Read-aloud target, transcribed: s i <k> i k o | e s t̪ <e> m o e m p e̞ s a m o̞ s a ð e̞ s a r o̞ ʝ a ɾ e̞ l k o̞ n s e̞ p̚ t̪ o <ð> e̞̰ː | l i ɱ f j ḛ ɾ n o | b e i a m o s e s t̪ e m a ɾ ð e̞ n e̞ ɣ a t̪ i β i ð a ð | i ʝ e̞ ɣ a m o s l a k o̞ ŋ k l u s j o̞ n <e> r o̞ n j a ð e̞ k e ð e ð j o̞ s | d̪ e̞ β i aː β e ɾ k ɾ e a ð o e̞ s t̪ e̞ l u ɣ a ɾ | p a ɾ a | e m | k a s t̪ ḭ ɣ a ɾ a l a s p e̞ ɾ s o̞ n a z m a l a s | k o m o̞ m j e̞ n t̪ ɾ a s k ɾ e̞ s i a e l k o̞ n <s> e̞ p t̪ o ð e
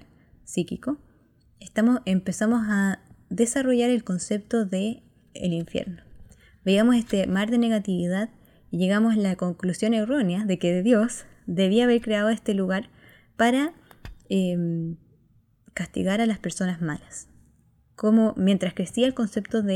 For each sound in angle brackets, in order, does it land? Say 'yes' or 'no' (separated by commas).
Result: yes, no, yes, yes, yes